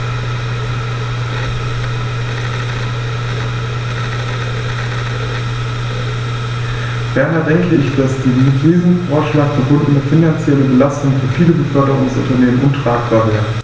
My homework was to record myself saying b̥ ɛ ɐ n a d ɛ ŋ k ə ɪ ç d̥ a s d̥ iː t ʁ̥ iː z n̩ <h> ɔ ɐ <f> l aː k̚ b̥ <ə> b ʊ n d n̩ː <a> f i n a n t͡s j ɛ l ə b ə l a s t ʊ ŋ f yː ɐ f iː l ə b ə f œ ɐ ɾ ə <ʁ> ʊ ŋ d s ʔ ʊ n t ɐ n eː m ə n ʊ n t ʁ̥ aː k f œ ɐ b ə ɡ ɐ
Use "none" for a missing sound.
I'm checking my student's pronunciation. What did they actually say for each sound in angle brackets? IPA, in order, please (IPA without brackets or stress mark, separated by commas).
f, ʃ, ə, ə, ʁ